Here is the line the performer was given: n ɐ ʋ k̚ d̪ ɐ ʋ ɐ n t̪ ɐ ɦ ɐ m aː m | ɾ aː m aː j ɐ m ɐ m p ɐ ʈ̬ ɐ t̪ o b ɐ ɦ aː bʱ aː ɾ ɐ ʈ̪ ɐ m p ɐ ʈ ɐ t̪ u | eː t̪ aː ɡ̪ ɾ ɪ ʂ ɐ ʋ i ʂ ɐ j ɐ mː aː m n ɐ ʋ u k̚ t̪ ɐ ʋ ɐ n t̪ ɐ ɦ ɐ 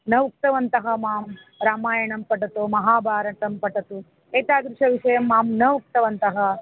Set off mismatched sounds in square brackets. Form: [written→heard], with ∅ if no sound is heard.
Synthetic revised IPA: n ɐ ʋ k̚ [d̪→t̪] ɐ ʋ ɐ n t̪ ɐ ɦ ɐ m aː m | ɾ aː m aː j ɐ [m→ɳ] ɐ m p ɐ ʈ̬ ɐ t̪ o [b→m] ɐ ɦ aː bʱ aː ɾ ɐ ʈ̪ ɐ m p ɐ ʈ ɐ t̪ u | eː t̪ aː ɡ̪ ɾ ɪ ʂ ɐ ʋ i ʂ ɐ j ɐ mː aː m n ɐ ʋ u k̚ t̪ ɐ ʋ ɐ n t̪ ɐ ɦ ɐ